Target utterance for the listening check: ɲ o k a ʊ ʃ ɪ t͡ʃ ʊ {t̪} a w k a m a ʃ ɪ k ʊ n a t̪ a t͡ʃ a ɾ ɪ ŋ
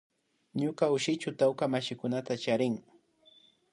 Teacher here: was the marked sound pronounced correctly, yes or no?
yes